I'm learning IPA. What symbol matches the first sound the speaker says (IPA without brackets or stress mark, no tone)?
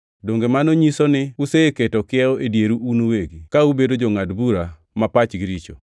d